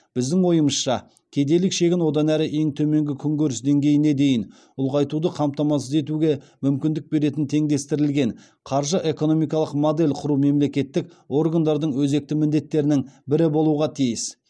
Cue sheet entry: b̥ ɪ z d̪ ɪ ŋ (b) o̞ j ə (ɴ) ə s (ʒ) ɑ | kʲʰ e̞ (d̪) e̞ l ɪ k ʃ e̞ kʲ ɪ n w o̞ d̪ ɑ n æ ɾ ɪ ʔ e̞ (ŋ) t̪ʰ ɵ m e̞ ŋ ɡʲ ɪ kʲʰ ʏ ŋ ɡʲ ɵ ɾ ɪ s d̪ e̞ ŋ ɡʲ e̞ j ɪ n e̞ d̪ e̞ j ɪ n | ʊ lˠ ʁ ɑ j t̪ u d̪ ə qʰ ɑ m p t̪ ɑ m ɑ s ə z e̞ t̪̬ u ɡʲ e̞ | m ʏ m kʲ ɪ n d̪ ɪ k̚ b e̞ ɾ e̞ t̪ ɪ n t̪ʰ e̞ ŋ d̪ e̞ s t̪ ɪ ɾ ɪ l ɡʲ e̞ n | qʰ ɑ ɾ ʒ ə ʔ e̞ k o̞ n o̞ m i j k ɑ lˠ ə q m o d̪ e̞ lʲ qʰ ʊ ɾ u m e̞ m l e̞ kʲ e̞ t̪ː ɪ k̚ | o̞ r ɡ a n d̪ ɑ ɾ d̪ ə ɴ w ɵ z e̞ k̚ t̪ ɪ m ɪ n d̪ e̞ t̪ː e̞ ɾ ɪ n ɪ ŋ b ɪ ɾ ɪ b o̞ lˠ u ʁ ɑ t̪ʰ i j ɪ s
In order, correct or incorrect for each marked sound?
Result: incorrect: w, incorrect: m, incorrect: ʃ, correct, correct

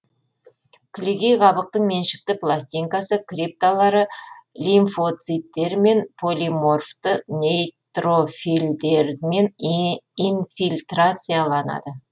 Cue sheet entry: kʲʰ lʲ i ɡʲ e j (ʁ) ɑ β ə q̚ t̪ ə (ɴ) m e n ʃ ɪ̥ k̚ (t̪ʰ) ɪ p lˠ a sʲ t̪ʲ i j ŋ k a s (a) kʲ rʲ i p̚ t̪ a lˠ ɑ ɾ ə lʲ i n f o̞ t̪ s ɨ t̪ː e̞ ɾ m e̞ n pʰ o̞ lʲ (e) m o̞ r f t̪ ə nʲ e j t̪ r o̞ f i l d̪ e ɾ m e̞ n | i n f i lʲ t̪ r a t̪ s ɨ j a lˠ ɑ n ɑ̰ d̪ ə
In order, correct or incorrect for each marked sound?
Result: correct, correct, incorrect: t̪, incorrect: ə, incorrect: i

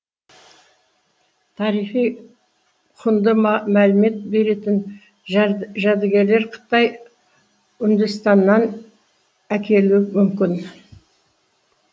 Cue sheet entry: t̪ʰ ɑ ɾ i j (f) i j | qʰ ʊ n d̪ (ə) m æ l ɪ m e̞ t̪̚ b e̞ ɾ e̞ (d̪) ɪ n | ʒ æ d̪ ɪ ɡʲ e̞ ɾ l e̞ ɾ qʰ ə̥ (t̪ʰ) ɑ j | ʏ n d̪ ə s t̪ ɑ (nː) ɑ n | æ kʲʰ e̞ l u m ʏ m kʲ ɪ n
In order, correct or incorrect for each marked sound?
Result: incorrect: χ, correct, incorrect: t̪, incorrect: t̪, correct

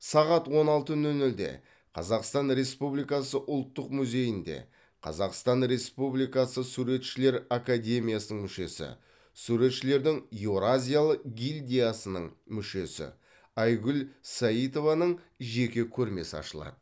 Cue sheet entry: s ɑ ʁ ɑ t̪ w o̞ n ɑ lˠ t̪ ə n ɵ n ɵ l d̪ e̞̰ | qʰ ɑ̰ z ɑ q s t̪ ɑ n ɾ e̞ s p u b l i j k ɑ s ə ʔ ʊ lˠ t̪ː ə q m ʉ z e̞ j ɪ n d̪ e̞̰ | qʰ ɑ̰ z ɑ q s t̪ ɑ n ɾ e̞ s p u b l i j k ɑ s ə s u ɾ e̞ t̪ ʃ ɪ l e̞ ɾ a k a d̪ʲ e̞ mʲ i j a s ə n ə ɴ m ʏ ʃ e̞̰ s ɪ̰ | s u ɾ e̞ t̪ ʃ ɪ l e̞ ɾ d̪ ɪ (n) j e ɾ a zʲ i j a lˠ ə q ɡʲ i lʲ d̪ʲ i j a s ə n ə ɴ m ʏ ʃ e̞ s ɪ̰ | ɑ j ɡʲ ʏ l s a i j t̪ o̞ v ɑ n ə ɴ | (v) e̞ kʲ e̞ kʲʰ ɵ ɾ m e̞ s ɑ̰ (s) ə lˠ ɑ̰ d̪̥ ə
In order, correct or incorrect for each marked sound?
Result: incorrect: ŋ, incorrect: ʒ, incorrect: ʃ

